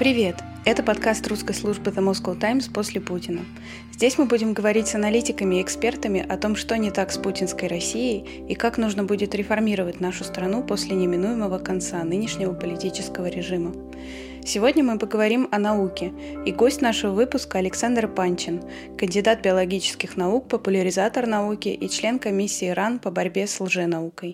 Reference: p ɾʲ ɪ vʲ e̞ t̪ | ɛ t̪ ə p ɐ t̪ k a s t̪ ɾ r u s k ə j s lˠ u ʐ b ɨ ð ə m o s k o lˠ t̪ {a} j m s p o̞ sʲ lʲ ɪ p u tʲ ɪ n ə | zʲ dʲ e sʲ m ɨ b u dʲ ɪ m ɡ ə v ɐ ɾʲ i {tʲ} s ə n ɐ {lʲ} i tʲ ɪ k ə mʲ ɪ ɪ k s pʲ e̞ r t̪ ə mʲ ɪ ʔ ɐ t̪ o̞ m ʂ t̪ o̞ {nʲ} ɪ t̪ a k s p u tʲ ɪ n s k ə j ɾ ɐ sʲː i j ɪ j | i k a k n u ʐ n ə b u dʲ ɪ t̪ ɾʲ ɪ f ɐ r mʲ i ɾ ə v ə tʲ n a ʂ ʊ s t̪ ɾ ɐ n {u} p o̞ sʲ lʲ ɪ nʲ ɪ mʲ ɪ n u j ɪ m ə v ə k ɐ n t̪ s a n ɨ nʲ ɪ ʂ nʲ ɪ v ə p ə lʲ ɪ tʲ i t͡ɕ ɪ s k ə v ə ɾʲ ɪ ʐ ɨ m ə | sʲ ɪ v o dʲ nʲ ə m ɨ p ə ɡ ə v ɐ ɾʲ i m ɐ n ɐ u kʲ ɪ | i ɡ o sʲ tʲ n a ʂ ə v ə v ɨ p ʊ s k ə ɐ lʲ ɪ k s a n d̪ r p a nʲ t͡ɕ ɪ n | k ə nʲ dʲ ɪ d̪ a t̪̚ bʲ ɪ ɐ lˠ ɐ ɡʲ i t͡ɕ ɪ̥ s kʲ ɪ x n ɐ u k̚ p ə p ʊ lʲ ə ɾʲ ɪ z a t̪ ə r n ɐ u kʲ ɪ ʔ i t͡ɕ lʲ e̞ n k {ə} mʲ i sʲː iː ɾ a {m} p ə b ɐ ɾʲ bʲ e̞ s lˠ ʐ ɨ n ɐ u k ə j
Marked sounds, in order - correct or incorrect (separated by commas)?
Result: correct, correct, correct, correct, correct, incorrect, incorrect